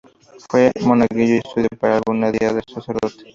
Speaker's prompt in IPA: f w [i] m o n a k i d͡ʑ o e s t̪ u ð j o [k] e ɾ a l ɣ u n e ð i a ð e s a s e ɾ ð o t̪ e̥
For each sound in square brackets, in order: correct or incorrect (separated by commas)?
incorrect, incorrect